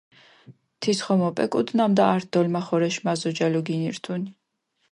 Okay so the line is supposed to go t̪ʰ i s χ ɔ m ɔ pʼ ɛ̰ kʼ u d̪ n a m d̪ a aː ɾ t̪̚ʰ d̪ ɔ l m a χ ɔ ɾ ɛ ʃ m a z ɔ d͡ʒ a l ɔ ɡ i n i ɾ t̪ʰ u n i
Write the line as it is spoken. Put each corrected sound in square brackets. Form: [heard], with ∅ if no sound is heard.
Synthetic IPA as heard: t̪ʰ i s χ ɔ m ɔ pʼ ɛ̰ kʼ u d̪ n a m d̪ a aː ɾ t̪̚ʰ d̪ ɔ l m a χ ɔ ɾ ɛ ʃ m a z ɔ d͡ʒ a l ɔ ɡ i n i ɾ t̪ʰ u n i